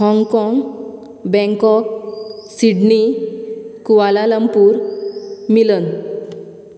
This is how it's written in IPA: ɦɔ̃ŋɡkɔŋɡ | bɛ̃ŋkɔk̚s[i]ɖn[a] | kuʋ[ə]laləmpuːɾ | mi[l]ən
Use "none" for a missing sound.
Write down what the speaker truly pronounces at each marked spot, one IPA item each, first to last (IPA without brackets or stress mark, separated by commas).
i, i, a, l